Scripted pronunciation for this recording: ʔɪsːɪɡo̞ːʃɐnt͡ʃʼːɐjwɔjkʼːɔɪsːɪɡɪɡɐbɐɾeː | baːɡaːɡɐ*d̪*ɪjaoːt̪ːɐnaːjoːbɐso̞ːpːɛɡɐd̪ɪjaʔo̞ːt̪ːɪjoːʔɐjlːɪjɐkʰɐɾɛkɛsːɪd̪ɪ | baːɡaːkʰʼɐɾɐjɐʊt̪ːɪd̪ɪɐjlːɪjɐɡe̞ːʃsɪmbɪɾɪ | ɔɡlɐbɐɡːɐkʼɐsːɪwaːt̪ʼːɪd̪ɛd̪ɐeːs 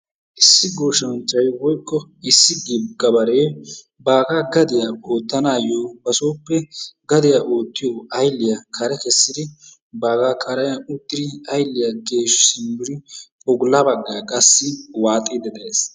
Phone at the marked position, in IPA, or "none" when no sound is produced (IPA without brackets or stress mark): d̪